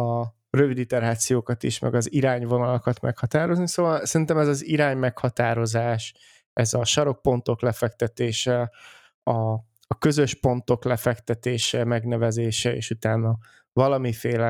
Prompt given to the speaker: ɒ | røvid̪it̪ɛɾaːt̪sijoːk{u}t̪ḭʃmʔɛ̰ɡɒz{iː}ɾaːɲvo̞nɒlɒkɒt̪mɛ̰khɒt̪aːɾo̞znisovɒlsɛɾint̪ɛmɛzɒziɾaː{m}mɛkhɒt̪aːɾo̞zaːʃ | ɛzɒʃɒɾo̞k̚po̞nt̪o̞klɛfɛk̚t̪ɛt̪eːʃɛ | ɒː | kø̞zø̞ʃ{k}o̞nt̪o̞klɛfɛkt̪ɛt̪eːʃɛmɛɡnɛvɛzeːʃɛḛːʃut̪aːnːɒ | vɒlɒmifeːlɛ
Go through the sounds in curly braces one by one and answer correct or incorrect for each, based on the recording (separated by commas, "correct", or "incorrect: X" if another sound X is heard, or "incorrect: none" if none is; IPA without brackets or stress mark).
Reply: incorrect: ɒ, incorrect: i, incorrect: ɲ, incorrect: p